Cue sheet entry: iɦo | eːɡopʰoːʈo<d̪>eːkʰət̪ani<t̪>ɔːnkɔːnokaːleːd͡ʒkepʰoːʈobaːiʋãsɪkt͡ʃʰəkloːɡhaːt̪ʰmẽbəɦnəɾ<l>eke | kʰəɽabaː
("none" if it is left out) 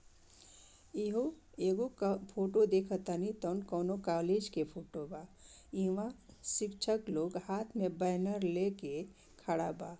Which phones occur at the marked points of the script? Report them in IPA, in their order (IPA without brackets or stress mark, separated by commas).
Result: d̪, t̪, l